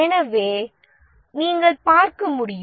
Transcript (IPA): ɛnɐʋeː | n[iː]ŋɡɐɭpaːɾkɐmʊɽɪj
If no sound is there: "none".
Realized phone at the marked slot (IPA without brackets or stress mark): iː